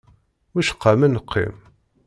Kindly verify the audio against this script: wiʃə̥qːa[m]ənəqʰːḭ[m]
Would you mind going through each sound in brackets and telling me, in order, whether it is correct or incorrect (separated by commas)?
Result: correct, correct